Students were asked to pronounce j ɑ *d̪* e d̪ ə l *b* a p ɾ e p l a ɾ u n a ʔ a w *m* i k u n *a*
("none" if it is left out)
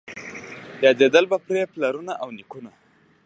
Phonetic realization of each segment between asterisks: d̪, b, n, a

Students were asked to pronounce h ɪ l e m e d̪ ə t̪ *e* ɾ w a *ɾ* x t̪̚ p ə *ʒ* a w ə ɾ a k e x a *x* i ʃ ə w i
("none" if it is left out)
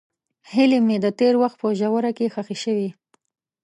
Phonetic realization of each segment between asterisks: e, none, ʒ, x

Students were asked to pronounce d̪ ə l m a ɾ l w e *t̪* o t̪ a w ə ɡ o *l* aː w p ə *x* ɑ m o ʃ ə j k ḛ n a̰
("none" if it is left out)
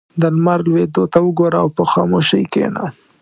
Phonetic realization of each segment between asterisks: d̪, ɾ, x

